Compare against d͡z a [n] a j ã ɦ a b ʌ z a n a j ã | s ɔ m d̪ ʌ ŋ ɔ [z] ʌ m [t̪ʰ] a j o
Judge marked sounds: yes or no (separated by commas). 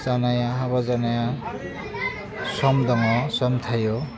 yes, no, yes